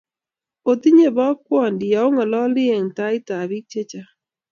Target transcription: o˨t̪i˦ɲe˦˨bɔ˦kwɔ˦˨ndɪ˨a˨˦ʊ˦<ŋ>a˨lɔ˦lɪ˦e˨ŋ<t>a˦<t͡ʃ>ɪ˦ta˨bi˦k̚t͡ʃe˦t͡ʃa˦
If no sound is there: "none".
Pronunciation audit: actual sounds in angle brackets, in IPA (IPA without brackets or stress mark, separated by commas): ŋ, t, none